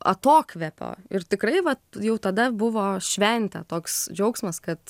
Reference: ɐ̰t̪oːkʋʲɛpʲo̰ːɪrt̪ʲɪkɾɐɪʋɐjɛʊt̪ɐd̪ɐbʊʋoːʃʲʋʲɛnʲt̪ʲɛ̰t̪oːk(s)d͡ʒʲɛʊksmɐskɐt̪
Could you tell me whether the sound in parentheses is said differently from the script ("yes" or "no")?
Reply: no